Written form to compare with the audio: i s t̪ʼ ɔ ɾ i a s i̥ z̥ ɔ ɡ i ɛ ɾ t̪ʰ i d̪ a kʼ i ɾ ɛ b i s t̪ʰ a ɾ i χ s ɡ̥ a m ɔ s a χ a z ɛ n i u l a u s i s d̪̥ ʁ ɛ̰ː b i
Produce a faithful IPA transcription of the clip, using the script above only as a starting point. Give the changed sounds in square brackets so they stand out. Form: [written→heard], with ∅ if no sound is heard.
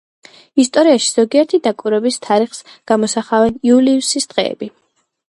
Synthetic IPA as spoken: i s t̪ʼ ɔ ɾ i a [s→ʃ] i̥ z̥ ɔ ɡ i ɛ ɾ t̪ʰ i d̪ a kʼ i ɾ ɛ b i s t̪ʰ a ɾ i χ s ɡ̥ a m ɔ s a χ a [z→v] ɛ n i u l [a→i] u s i s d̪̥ ʁ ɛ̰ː b i